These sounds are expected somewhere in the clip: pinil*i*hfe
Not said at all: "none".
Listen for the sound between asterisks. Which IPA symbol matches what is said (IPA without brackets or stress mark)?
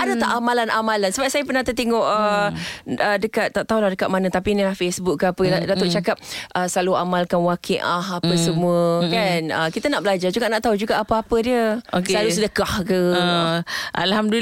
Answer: a